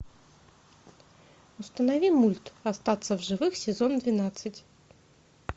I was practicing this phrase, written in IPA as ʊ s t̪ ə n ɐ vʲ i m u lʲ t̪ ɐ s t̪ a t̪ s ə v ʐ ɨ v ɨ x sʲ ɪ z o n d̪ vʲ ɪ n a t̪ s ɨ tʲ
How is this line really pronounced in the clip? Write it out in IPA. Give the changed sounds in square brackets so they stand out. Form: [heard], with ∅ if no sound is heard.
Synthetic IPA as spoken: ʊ s t̪ ə n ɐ vʲ i m u lʲ t̪ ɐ s t̪ a t̪ s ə v ʐ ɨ v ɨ x sʲ ɪ z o n d̪ vʲ ɪ n a t̪ s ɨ tʲ